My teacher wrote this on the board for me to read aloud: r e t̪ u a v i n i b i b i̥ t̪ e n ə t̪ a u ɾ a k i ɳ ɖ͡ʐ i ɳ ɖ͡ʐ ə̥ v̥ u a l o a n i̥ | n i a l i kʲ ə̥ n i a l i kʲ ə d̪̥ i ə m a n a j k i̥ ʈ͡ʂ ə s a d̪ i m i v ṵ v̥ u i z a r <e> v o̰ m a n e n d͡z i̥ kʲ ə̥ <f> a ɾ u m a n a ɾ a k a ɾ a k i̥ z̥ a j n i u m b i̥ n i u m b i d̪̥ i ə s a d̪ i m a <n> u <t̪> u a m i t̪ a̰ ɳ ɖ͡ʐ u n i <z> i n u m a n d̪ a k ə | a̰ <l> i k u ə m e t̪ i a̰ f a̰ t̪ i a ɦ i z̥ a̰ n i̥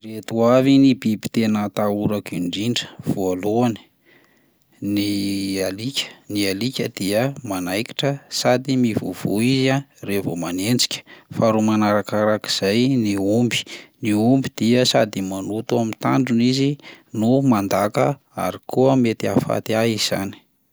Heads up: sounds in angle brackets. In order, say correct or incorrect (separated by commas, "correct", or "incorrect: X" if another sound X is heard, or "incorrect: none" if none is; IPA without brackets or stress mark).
correct, correct, correct, correct, correct, incorrect: ɾ